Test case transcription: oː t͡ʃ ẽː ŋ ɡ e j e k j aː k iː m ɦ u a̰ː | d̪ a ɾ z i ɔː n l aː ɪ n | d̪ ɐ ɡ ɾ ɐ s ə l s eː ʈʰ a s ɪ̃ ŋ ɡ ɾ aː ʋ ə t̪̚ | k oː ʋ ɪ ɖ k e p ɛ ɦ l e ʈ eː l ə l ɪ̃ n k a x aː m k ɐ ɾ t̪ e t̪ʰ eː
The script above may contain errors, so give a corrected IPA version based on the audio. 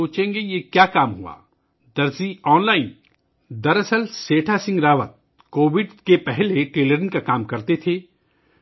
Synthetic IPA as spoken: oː t͡ʃ ẽː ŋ ɡ e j e k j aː k aː m ɦ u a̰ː | d̪ ɐ ɾ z i ɔː n l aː ɪ n | d̪ ɐ ɾ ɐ s ə l s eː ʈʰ a s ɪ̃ ŋ ɡ ɾ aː ʋ ə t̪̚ | k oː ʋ ɪ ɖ k e p ɛ ɦ l e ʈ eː l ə ɾ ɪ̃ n k a k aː m k ɐ ɾ t̪ e t̪ʰ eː

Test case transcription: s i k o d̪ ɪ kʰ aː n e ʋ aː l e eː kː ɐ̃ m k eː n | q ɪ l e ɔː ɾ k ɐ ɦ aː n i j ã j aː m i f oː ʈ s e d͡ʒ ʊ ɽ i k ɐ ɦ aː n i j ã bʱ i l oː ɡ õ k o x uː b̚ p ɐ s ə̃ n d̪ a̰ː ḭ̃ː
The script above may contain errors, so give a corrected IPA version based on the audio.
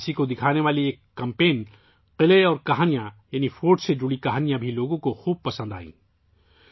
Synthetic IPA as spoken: s i k o d̪ ɪ kʰ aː n e ʋ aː l i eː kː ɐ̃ m p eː n | q ɪ l e ɔː ɾ k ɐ ɦ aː n i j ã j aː n i f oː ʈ s e d͡ʒ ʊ ɽ i k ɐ ɦ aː n i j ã bʱ i l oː ɡ õ k o x uː b̚ p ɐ s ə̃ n d̪ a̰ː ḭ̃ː

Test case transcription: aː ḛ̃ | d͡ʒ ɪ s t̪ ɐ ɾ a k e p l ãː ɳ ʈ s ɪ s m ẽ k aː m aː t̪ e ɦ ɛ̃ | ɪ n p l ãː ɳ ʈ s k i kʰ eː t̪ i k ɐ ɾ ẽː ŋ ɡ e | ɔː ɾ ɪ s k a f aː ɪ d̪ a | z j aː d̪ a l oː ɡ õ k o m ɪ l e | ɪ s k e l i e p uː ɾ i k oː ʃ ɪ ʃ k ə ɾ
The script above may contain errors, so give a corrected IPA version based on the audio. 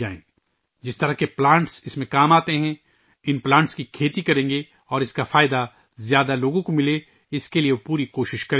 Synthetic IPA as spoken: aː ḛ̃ | d͡ʒ ɪ s t̪ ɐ ɾ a k e p l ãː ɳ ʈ s ɪ s m ẽ k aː m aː t̪ e ɦ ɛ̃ | ɪ n p l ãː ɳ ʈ s k i kʰ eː t̪ i k ɐ ɾ ẽː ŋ ɡ e | ɔː ɾ ɪ s k a f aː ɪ d̪ a | z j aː d̪ a l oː ɡ õ k o m ɪ l e | ɪ s k e l i e p uː ɾ i k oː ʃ ɪ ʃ k ɐ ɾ

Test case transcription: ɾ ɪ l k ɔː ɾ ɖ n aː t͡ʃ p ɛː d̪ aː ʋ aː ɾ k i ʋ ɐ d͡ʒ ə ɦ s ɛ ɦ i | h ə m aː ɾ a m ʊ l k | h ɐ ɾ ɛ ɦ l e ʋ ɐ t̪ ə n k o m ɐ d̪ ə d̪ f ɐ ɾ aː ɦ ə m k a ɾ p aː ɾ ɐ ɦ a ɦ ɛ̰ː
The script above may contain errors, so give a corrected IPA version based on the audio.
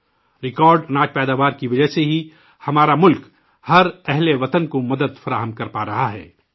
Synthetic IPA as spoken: ɾ ɪ k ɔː ɾ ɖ n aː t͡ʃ p ɛː d̪ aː ʋ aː ɾ k i ʋ ɐ d͡ʒ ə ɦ s e ɦ i | h ɐ m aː ɾ a m ʊ l k | h ɐ ɾ ɛ ɦ l e ʋ ɐ t̪ ə n k o m ɐ d̪ ə d̪ f ɐ ɾ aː ɦ ə m k ɐ ɾ p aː ɾ ɐ ɦ a ɦ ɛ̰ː

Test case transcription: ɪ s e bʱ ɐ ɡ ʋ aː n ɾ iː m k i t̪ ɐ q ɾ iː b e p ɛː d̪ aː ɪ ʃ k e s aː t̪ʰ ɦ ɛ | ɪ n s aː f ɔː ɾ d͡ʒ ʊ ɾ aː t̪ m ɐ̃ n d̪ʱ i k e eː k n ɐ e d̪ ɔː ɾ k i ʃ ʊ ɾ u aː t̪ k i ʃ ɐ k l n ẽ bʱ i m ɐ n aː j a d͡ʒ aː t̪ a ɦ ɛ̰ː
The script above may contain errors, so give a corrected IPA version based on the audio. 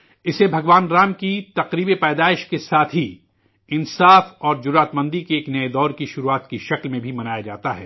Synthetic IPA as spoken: ɪ s e bʱ ɐ ɡ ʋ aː n ɾ aː m k i t̪ ɐ q ɾ iː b e p ɛː d̪ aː ɪ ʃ k e s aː t̪ʰ ɦ i | ɪ n s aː f ɔː ɾ d͡ʒ ʊ ɾ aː t̪ m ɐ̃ n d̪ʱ i k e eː k n ɐ e d̪ ɔː ɾ k i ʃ ʊ ɾ u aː t̪ k i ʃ ɐ k l m ẽ bʱ i m ɐ n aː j a d͡ʒ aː t̪ a ɦ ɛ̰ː

